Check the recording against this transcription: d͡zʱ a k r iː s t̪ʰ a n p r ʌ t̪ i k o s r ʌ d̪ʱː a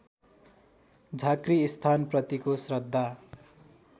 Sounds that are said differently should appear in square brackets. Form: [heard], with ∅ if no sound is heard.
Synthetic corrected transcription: d͡zʱ a k r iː s t̪ʰ a n p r ʌ t̪ i k o s r ʌ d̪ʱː a